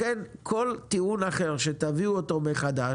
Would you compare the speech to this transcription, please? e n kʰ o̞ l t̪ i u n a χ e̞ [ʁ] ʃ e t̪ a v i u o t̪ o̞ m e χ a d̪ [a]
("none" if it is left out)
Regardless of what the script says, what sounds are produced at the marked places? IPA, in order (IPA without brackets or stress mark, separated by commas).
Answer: ʁ, a